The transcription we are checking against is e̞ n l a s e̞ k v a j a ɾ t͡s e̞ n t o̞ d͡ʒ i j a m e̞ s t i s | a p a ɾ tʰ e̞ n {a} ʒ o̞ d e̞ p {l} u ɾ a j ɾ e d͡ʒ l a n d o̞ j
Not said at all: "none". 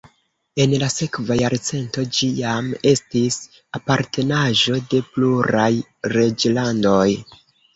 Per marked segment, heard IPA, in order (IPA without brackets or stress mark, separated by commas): a, l